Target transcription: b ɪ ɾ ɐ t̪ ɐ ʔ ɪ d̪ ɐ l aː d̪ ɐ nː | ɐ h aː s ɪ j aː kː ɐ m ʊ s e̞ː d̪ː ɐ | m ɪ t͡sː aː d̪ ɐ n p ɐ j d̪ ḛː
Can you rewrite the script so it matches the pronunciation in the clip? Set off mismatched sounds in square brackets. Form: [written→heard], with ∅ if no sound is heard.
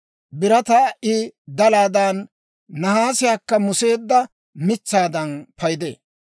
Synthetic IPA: b ɪ ɾ ɐ t̪ ɐ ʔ ɪ d̪ ɐ l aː d̪ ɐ nː | ɐ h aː s ɪ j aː kː ɐ m ʊ s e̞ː d̪ː ɐ | m ɪ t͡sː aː d̪ ɐ n p ɐ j d̪ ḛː